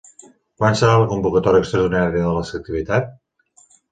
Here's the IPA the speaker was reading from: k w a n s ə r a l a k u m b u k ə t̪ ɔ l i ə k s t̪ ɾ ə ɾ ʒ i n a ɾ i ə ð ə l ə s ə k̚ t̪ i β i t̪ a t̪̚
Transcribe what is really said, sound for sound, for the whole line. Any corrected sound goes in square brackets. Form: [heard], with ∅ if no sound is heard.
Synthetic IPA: k w a n s ə [ɾ] a l [ə] k u m b u k ə t̪ ɔ [ɾ] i ə k s t̪ ɾ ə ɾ [ð] i n a ɾ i ə ð ə l ə s ə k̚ t̪ i β i t̪ a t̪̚